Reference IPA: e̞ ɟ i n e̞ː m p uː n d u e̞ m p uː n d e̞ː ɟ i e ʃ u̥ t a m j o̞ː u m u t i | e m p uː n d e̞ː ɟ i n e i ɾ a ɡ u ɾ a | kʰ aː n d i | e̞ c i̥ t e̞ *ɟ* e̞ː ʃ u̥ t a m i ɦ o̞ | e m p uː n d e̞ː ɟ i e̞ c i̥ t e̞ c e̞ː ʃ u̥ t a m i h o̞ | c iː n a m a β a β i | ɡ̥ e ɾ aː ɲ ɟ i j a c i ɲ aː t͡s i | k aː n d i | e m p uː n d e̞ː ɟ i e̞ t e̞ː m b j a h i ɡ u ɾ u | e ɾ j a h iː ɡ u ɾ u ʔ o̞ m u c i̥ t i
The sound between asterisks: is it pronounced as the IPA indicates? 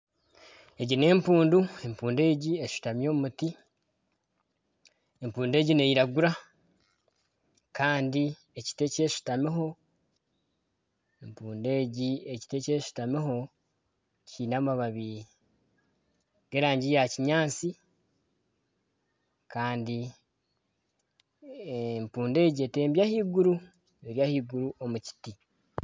no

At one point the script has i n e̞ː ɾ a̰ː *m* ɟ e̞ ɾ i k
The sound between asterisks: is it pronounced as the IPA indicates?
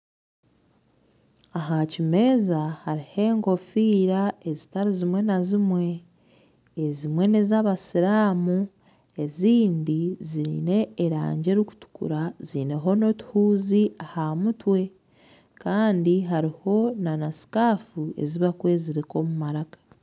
no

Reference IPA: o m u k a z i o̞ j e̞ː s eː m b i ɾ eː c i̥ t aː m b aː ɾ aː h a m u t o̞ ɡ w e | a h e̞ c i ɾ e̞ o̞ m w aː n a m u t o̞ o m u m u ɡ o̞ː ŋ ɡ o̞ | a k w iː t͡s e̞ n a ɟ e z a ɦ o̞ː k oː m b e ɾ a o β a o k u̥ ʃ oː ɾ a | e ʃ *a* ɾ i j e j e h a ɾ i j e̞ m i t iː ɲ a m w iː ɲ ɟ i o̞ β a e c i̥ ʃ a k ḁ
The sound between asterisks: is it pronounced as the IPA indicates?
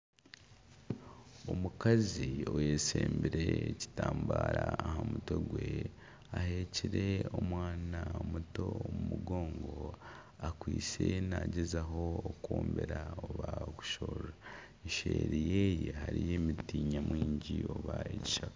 no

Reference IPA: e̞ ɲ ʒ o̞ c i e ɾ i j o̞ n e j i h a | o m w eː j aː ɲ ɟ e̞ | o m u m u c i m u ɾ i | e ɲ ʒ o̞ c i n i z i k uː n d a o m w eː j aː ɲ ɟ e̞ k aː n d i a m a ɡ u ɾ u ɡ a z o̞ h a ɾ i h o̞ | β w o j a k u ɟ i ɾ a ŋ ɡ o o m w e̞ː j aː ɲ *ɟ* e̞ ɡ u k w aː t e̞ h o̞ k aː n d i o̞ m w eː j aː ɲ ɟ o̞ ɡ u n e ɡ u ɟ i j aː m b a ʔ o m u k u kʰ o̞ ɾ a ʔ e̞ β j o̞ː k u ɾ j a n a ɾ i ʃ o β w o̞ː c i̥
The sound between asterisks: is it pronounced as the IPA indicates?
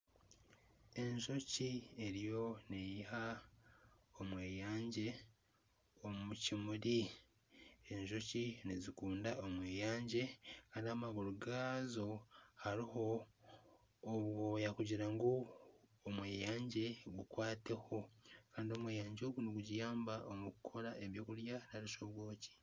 yes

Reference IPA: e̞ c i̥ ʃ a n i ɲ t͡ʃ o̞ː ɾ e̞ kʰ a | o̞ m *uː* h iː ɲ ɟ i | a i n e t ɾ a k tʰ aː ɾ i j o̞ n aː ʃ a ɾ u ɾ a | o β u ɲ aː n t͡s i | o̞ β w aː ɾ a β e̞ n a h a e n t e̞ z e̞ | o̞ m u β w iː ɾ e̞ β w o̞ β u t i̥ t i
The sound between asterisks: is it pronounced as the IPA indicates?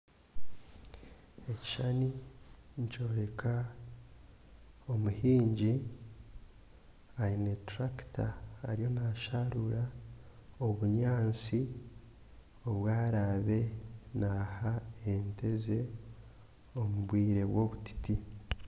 no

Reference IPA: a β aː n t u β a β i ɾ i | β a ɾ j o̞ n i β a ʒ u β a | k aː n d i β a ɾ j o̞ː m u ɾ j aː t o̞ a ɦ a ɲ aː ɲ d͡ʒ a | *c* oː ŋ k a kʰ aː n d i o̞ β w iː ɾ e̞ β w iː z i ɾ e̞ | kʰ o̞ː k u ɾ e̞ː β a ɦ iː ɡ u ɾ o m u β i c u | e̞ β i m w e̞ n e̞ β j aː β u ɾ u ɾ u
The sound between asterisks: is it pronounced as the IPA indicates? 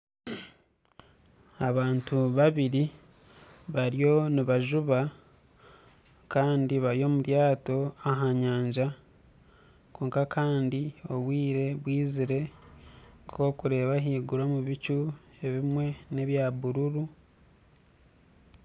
no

